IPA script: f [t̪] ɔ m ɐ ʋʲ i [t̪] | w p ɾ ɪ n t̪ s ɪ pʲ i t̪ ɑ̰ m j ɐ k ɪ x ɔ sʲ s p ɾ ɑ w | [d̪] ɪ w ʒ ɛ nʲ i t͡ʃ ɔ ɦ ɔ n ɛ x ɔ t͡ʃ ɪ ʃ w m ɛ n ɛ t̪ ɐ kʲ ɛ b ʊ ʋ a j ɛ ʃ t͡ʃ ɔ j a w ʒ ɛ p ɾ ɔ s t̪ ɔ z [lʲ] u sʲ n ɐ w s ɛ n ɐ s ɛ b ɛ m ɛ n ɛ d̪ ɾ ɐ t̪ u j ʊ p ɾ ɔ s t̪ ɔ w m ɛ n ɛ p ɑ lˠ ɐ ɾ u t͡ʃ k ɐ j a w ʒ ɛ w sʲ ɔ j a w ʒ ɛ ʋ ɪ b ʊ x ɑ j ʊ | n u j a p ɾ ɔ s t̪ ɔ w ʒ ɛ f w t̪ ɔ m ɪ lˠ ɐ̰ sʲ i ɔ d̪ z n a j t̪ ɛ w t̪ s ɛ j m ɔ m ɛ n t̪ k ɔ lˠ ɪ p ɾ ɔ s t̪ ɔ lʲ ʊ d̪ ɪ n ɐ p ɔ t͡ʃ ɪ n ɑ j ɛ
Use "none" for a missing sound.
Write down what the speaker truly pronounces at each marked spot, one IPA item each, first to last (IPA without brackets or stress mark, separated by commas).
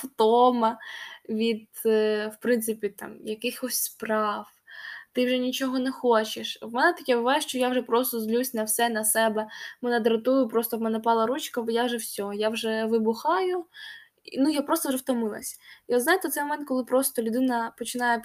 t̪, d̪, t̪, lʲ